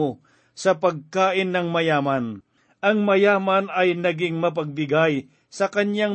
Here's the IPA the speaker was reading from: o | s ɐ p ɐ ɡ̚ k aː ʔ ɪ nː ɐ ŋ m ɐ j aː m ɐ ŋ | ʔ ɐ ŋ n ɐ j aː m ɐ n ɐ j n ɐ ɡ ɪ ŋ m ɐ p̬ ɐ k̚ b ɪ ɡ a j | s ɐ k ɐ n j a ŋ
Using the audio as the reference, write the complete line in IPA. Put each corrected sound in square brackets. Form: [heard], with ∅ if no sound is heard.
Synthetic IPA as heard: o | s ɐ p ɐ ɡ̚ k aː ʔ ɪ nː ɐ ŋ m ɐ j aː m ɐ [n] | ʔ ɐ ŋ [m] ɐ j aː m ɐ n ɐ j n ɐ ɡ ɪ ŋ m ɐ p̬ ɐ [ɡ̚] b ɪ ɡ a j | s ɐ k ɐ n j a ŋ